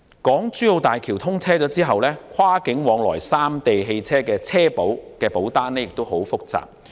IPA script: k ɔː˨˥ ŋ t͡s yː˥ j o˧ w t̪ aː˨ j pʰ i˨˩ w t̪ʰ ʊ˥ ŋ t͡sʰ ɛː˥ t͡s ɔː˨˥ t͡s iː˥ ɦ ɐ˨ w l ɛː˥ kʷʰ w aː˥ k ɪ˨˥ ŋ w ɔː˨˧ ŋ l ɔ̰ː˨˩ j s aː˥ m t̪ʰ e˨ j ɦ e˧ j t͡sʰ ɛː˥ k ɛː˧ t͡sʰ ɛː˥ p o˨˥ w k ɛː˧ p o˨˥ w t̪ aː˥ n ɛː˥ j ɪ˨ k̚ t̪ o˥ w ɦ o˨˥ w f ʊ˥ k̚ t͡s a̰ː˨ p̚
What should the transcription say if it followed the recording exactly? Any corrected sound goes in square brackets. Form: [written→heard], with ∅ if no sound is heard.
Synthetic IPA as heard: k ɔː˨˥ ŋ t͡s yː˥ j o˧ w t̪ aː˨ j [pʰ→kʰ] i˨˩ w t̪ʰ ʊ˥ ŋ t͡sʰ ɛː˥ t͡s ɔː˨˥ t͡s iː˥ ɦ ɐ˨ w l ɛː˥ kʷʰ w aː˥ k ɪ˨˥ ŋ w ɔː˨˧ ŋ l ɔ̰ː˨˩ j s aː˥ m [t̪ʰ→t̪] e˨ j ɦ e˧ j t͡sʰ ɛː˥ k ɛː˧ t͡sʰ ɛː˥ p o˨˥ w k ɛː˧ p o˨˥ w t̪ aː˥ n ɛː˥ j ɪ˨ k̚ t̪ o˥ w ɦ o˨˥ w f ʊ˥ k̚ t͡s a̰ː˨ p̚